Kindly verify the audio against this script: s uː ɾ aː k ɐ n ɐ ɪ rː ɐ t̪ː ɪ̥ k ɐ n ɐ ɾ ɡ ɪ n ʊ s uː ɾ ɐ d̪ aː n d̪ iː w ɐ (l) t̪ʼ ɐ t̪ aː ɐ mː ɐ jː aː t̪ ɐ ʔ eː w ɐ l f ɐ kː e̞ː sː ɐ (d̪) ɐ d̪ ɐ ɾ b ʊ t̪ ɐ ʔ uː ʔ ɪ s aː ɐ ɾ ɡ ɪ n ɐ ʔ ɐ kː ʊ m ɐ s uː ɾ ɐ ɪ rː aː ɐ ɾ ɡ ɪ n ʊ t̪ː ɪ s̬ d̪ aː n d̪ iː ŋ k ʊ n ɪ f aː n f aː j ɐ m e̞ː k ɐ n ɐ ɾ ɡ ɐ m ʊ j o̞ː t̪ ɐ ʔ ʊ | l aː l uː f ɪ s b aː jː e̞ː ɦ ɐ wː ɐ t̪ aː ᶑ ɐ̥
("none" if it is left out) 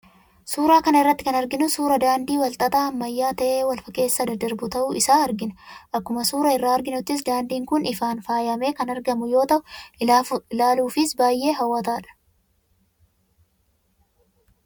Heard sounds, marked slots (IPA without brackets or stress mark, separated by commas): l, d̪